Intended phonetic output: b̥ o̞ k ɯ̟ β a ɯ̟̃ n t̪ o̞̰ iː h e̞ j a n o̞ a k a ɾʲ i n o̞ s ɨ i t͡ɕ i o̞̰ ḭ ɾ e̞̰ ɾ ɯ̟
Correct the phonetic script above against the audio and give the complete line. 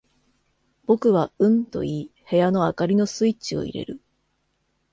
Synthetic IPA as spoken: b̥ o̞ k ɯ̟ β a ɯ̟̃ n t̪ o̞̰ iː h e̞ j a n o̞ a k a ɾʲ i n o̞ s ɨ i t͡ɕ i o̞̰ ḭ ɾ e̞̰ ɾ ɯ̟